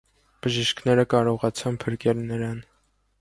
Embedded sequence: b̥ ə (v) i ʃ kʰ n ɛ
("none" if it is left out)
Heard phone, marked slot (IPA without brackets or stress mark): ʒ